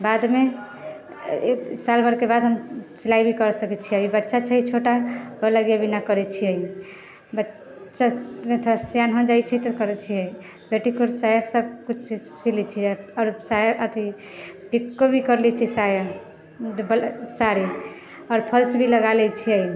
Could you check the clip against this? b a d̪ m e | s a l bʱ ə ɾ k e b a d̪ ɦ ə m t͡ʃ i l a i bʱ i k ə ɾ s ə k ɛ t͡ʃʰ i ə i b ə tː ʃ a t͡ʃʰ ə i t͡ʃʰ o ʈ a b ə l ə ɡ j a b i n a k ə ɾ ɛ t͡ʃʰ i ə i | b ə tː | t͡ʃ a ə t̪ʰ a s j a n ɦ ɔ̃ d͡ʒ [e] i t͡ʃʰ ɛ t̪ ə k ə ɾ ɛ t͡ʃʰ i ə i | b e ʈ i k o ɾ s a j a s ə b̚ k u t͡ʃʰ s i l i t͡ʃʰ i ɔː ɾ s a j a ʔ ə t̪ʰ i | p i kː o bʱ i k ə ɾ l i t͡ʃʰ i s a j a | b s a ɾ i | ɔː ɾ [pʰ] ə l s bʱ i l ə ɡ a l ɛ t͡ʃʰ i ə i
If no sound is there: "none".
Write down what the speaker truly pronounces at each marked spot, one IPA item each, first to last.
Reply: a, pʰ

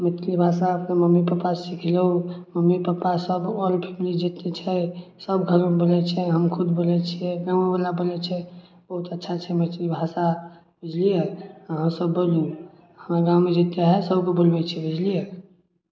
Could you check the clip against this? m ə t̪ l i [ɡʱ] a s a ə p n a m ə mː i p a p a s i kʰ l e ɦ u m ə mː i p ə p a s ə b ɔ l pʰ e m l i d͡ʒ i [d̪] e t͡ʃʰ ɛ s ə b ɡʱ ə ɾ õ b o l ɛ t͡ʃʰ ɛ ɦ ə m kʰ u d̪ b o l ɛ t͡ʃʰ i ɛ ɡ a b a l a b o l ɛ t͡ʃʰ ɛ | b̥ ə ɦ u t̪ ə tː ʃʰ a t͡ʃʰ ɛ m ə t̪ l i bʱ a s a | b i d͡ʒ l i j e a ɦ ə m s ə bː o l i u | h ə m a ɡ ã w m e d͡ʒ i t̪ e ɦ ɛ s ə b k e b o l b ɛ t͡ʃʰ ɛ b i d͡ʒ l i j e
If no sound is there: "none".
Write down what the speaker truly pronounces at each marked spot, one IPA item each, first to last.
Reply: bʱ, t̪

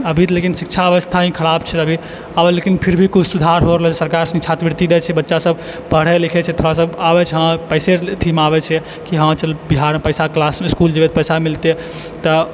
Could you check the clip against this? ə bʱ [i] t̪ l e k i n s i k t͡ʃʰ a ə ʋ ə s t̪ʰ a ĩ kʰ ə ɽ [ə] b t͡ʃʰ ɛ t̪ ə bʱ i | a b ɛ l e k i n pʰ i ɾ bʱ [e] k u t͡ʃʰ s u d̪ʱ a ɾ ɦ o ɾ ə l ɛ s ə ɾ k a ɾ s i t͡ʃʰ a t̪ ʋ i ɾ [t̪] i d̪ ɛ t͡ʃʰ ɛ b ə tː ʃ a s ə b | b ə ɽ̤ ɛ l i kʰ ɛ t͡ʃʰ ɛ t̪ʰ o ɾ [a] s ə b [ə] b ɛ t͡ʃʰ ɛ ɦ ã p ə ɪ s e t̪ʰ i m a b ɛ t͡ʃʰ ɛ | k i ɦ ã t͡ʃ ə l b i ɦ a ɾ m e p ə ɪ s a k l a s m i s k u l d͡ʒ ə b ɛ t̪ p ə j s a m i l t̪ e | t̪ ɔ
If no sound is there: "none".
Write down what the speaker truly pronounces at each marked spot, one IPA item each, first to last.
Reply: i, a, i, t̪, a, a

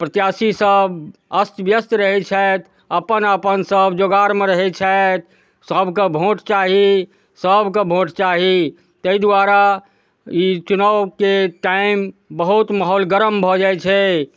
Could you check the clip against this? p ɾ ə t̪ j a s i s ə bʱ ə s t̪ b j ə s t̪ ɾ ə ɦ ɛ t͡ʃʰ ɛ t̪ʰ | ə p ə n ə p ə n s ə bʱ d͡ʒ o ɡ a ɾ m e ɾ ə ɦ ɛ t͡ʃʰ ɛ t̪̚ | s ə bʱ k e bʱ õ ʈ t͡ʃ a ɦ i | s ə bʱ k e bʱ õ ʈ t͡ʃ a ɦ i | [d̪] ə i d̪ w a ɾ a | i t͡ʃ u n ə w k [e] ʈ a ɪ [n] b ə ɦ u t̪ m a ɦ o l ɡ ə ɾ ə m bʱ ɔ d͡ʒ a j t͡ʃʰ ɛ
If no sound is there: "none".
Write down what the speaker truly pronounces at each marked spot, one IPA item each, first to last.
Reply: t̪, e, m

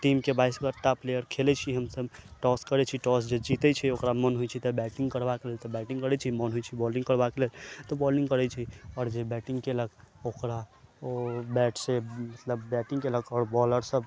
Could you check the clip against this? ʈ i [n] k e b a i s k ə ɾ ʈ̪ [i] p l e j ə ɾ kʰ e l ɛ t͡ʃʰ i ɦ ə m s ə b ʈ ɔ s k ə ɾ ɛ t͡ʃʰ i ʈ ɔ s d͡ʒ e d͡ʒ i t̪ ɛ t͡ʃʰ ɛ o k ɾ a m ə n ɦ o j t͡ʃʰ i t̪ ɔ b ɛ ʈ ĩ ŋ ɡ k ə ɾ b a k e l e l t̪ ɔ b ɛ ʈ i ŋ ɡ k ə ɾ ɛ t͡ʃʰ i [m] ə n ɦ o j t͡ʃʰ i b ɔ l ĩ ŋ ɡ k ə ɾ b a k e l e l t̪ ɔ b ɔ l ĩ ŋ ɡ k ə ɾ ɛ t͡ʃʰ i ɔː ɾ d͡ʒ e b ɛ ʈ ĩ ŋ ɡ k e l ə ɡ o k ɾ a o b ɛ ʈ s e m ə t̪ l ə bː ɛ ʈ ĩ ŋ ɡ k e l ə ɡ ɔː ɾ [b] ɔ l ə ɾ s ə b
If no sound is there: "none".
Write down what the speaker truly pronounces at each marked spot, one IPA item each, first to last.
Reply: m, a, m, b

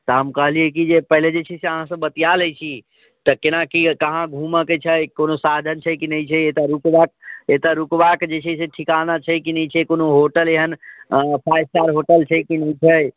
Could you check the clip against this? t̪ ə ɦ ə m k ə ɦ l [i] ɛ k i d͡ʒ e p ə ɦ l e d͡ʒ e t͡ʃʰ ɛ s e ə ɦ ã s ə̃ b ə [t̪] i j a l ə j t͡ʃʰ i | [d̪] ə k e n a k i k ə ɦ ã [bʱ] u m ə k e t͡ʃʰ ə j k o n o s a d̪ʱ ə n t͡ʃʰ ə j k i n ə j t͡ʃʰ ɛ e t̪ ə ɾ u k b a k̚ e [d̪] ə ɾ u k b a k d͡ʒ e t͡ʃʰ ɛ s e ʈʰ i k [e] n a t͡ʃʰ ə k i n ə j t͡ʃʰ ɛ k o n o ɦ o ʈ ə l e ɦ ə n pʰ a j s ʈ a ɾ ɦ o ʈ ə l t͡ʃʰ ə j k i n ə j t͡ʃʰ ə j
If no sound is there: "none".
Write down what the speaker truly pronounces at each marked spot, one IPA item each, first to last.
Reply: i, t̪, t̪, ɡʱ, t̪, a

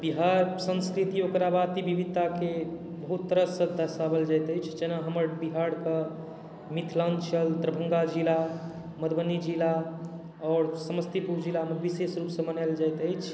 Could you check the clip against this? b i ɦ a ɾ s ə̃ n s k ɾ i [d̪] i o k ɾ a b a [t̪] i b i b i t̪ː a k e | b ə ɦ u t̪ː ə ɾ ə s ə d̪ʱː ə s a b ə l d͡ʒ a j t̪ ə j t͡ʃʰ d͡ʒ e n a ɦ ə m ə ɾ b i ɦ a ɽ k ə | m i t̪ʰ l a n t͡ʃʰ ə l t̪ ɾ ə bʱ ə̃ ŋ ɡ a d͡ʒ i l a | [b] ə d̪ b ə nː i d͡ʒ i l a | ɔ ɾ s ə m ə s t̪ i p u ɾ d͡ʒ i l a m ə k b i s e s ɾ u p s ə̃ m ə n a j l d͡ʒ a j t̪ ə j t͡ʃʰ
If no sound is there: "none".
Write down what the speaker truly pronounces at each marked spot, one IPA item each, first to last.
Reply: t̪, t̪, m

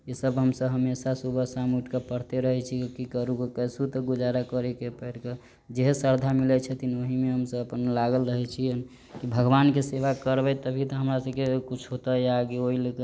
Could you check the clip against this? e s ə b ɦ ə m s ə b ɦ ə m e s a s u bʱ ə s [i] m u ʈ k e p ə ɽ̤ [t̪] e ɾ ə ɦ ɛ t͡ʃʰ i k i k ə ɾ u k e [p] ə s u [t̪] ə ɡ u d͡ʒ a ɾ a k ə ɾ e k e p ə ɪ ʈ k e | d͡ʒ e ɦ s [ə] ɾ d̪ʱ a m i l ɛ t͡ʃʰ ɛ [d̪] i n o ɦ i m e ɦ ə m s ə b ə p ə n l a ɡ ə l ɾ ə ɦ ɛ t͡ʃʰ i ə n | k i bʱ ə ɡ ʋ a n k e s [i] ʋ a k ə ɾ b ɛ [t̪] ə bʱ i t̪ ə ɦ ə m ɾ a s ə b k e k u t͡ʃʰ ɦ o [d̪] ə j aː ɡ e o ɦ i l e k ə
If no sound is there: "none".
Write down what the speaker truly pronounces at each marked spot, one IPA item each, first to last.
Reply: a, t̪, k, t̪, ə, t̪, e, t̪, t̪

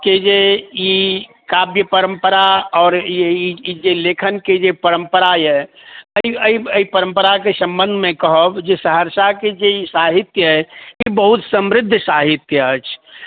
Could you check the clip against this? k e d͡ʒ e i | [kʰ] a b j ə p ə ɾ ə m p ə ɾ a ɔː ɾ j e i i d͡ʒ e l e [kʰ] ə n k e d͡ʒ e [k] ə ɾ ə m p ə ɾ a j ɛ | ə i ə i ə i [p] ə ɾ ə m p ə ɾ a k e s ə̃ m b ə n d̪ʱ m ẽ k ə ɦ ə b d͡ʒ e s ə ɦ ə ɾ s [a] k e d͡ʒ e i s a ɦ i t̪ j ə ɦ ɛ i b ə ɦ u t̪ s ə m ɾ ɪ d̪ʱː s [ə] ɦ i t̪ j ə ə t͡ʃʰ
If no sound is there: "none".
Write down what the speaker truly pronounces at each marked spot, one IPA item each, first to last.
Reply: k, kʰ, p, p, a, a

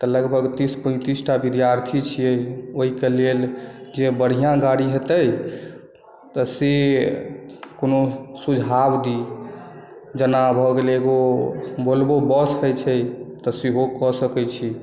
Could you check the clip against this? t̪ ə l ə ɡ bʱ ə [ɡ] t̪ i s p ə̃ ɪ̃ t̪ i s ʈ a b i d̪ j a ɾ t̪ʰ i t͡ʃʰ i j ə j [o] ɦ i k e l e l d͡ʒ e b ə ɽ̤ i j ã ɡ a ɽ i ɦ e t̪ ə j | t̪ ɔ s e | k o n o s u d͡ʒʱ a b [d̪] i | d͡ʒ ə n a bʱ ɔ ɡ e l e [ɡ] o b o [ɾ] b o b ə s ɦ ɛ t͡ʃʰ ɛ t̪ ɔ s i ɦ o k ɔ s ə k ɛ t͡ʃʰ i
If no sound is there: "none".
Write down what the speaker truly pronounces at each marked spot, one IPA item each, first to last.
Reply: ɡ, o, d̪, ɡ, l

